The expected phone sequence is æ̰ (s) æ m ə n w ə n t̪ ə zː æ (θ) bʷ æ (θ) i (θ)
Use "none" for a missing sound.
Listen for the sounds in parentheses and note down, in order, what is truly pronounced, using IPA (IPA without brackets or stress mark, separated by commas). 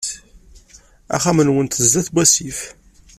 χ, θ, s, f